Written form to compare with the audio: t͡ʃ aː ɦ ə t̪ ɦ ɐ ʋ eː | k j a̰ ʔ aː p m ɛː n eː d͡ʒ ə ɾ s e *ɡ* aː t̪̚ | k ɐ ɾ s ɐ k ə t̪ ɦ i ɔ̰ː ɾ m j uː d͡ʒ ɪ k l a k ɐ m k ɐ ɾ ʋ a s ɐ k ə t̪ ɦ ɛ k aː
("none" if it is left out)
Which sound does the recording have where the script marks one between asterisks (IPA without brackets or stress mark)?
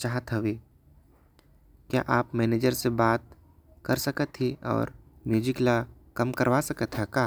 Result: b